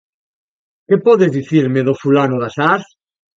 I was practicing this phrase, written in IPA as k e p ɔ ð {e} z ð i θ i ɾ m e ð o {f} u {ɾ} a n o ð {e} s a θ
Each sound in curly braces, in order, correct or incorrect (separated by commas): correct, correct, incorrect, incorrect